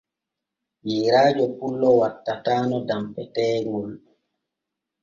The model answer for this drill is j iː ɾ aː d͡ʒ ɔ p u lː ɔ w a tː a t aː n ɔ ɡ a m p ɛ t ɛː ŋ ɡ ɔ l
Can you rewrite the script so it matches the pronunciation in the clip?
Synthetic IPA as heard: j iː ɾ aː d͡ʒ ɔ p u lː ɔ w a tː a t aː n ɔ d a m p ɛ t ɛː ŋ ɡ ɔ l